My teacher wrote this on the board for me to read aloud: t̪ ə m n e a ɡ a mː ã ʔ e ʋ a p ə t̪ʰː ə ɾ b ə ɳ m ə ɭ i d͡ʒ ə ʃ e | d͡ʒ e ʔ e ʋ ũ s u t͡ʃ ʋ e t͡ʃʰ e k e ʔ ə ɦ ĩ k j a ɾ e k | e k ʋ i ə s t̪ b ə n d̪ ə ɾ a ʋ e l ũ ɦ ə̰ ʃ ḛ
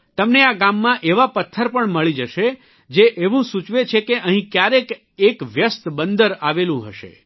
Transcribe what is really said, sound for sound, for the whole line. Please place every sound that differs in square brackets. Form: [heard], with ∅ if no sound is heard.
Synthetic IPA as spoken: t̪ ə m n e a ɡ a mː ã ʔ e ʋ a p ə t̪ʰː ə ɾ [p] ə ɳ m ə ɭ i d͡ʒ ə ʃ e | d͡ʒ e ʔ e ʋ ũ s u t͡ʃ ʋ e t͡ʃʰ e k e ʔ ə ɦ ĩ k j a ɾ e k | e k ʋ [j] ə s t̪ b ə n d̪ ə ɾ a ʋ e l ũ ɦ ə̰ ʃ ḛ